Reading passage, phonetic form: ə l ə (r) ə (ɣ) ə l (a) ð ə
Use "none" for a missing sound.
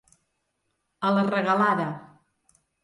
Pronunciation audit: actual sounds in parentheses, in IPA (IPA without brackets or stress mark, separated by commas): r, ɣ, a